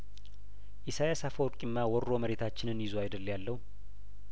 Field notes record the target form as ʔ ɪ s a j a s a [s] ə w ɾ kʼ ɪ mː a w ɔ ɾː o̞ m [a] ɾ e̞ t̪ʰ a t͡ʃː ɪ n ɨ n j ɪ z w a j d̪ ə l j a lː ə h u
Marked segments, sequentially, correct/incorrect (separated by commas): incorrect, incorrect